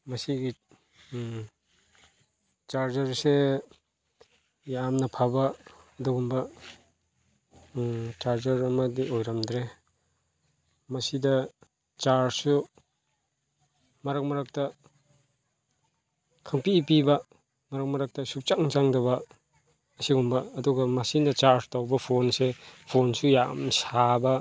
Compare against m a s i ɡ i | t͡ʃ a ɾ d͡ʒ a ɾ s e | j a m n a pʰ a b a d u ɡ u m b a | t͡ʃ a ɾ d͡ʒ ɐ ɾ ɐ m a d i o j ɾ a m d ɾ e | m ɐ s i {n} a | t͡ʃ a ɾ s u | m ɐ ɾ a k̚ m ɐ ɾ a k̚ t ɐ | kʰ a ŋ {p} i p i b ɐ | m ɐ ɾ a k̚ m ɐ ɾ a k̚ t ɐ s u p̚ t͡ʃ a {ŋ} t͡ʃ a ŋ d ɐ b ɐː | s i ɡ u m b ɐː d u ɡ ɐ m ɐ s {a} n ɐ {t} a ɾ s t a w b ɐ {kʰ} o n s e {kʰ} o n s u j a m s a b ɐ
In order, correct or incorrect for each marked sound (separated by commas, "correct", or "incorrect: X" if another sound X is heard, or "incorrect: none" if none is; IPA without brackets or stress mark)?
incorrect: d, correct, correct, incorrect: i, incorrect: t͡ʃ, incorrect: pʰ, incorrect: pʰ